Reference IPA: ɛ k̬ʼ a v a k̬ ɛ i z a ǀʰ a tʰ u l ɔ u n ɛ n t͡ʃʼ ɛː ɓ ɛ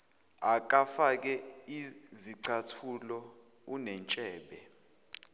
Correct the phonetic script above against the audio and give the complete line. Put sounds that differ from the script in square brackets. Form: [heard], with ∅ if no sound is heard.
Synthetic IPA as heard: [a] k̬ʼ a [f] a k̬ ɛ i z [i] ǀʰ a tʰ u l ɔ u n ɛ n t͡ʃʼ ɛː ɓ ɛ